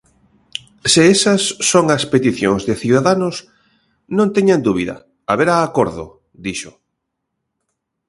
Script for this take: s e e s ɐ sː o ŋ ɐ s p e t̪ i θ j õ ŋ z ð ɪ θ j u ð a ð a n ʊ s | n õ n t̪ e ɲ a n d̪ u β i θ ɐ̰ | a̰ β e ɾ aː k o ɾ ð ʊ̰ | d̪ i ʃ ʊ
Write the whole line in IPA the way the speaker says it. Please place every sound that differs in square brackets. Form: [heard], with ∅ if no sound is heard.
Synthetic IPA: s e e s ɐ sː o ŋ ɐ s p e t̪ i θ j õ ŋ z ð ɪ θ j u ð a ð a n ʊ s | n õ n t̪ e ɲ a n d̪ u β i [ð] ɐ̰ | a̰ β e ɾ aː k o ɾ ð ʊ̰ | d̪ i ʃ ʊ